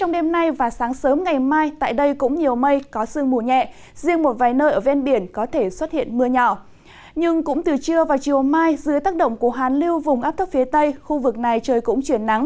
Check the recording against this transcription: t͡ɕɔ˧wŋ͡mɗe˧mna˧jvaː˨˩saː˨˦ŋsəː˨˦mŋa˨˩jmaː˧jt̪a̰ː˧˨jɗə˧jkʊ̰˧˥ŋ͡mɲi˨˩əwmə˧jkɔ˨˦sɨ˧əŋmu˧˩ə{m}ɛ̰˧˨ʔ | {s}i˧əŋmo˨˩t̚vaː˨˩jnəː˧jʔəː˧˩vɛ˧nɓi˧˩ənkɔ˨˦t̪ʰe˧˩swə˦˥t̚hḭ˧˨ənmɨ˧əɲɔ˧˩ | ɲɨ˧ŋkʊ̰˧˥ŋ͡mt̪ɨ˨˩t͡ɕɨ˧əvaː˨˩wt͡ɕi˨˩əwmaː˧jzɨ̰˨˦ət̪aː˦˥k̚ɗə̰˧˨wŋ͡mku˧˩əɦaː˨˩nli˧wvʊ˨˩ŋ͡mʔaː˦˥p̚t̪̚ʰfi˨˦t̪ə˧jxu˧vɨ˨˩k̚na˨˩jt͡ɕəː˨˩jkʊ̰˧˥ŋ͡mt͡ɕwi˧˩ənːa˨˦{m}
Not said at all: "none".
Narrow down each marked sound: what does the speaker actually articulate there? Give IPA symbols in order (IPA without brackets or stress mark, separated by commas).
ɲ, z, ŋ